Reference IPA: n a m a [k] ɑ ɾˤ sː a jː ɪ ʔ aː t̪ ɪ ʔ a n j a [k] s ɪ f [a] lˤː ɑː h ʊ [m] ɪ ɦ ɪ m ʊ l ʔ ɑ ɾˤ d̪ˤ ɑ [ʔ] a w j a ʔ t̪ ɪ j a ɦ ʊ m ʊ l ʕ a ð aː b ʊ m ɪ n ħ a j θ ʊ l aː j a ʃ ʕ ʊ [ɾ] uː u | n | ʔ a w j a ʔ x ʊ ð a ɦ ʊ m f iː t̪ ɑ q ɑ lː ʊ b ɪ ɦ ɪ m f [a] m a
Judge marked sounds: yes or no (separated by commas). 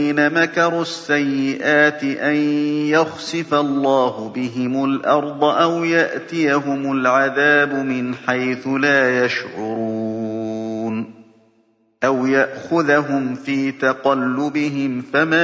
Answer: yes, no, yes, no, yes, yes, yes